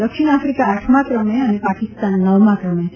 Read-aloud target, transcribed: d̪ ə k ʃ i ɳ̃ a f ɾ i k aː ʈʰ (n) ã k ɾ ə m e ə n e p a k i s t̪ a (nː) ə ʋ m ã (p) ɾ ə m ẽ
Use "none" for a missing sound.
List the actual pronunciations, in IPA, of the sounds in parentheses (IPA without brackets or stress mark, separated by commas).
m, nː, k